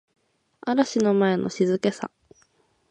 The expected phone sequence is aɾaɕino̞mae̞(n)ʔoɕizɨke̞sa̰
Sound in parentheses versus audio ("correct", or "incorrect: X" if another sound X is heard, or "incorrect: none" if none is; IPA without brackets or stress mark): correct